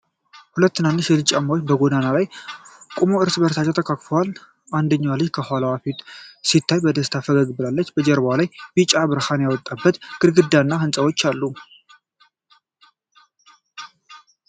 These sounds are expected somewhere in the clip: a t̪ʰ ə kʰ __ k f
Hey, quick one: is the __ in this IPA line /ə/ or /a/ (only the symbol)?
a